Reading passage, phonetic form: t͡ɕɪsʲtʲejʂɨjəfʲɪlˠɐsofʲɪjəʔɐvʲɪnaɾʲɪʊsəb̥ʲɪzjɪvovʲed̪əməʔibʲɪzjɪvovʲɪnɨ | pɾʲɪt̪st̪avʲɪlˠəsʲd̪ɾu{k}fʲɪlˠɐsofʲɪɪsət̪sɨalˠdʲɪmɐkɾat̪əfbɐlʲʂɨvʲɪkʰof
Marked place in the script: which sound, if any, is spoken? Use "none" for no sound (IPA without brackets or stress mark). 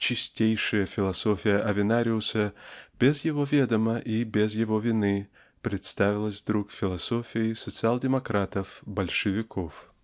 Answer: k